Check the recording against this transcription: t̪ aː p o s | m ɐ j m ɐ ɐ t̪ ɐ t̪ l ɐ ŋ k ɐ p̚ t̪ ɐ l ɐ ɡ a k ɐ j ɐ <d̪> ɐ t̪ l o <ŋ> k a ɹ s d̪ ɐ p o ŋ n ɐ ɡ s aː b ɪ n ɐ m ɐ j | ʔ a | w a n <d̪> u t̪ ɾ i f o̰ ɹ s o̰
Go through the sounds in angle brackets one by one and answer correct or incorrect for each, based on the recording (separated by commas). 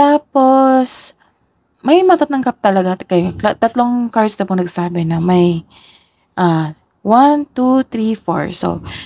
incorrect, correct, incorrect